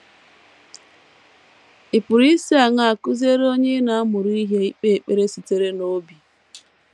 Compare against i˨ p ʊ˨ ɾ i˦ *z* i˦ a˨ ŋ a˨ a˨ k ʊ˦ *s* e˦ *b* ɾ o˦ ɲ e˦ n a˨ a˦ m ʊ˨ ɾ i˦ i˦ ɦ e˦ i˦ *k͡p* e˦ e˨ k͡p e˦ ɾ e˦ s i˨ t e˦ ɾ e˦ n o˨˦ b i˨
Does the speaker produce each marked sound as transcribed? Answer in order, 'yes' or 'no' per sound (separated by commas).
no, no, no, yes